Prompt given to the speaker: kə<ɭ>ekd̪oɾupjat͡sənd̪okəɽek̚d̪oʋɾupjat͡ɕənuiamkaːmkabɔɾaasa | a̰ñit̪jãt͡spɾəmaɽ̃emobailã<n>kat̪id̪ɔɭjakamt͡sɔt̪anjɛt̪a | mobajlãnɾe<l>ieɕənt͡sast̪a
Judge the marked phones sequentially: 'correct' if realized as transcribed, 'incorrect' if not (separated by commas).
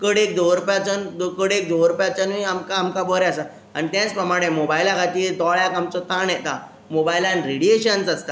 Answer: incorrect, incorrect, incorrect